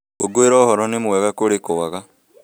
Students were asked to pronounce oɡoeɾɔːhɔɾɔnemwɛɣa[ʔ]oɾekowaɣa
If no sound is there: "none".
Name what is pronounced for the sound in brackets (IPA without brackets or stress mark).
k